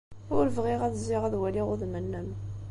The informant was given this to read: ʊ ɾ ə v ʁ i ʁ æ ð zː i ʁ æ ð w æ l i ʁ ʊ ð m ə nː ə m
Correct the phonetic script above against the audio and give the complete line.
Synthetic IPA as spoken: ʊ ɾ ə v ʁ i ʁ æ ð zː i ʁ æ ð w æ l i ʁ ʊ ð m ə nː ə m